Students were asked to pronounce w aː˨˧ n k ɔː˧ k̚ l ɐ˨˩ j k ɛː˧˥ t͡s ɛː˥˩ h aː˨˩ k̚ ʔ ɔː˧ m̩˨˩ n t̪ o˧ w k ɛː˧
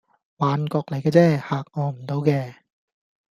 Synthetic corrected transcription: w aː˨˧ n k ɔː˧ k̚ l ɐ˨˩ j k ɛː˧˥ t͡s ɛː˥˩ h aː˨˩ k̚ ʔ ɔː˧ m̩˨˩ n t̪ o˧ w k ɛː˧